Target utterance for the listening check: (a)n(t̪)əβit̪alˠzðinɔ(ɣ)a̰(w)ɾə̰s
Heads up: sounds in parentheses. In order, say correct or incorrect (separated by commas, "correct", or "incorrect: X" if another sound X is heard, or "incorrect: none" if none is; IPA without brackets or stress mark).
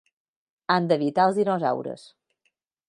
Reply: correct, incorrect: d̪, incorrect: z, correct